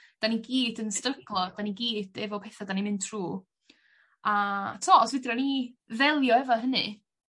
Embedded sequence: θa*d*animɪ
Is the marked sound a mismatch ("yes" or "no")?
no